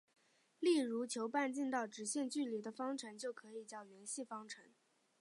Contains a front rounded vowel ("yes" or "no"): yes